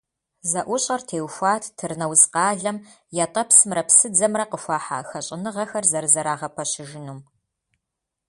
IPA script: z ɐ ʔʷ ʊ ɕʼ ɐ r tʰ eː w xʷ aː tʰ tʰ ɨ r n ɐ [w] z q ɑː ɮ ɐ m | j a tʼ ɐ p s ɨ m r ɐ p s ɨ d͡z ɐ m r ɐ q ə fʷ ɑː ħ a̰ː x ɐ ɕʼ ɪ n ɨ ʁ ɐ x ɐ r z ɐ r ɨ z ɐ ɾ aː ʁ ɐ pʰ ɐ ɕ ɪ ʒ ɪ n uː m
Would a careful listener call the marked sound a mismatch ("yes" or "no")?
no